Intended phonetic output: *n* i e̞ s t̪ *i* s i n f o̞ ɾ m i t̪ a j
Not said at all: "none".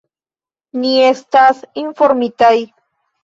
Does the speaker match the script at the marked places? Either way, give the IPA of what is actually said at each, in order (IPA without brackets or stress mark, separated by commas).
n, a